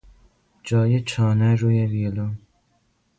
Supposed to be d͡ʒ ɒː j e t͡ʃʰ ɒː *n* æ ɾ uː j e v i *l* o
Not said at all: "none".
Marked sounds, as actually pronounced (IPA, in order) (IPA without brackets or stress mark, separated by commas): n, l